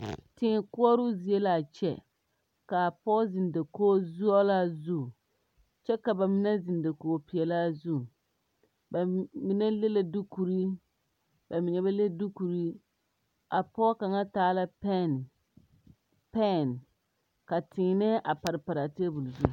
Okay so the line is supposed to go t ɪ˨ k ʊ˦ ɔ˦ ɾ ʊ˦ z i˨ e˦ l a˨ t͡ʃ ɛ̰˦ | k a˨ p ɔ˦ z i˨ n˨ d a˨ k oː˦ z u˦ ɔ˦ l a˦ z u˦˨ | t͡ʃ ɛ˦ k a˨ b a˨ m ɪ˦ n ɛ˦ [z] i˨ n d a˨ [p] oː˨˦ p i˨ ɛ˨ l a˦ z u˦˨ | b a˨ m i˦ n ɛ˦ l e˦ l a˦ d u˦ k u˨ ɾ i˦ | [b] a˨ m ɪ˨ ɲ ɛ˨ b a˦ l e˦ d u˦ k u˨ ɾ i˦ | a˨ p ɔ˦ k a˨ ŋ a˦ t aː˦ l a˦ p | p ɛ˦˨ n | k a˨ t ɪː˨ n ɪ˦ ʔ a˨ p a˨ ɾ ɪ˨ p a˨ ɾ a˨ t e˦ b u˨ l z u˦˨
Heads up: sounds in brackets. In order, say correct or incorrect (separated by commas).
correct, incorrect, correct